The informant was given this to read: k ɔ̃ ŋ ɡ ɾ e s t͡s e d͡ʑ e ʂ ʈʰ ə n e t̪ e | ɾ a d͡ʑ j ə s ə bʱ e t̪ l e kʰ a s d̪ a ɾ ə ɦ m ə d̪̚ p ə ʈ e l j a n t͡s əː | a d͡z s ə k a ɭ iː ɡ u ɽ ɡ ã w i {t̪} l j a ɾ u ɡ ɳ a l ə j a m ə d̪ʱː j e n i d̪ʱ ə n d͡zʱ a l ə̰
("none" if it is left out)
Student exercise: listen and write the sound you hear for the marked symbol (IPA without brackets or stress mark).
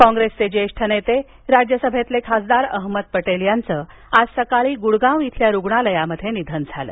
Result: t̪ʰ